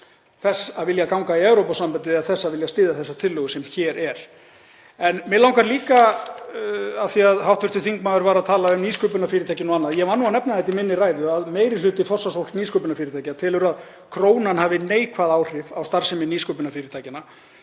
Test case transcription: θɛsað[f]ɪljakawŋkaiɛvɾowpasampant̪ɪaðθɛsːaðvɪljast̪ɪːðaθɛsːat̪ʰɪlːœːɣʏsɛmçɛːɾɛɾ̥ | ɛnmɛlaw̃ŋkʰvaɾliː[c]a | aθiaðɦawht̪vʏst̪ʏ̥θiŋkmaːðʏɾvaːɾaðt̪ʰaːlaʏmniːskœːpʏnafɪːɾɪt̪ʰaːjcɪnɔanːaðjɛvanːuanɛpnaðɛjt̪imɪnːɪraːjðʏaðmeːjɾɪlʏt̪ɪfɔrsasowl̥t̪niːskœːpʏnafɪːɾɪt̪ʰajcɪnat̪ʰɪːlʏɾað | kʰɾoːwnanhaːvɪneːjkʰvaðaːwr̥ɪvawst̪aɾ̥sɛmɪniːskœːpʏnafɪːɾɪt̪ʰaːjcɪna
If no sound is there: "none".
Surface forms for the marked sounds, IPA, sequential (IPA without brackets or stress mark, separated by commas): v, k